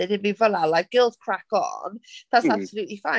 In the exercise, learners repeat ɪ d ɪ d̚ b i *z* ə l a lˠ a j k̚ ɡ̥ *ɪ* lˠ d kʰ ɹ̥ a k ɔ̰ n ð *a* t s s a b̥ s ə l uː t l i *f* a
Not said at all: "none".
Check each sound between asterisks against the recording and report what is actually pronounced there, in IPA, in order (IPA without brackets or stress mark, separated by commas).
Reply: v, ɪ, a, f